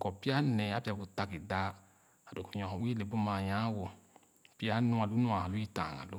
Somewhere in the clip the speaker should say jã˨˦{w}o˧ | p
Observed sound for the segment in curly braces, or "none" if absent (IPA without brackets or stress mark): w